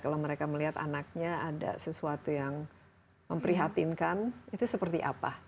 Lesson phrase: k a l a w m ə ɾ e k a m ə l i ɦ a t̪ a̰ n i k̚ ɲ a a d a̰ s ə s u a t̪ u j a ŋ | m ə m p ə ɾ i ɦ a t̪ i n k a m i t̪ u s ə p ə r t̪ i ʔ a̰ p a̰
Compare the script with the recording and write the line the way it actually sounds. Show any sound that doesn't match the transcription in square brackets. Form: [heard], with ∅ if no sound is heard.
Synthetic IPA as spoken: k a l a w m ə ɾ e k a m ə l i ɦ a t̪ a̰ n [a] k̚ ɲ a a d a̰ s ə s u a t̪ u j a ŋ | m ə m p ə ɾ i ɦ a t̪ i n k a [n] i t̪ u s ə p ə r t̪ i ʔ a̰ p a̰